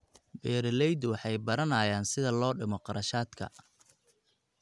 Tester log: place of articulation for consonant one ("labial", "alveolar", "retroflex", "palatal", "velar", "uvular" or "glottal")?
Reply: labial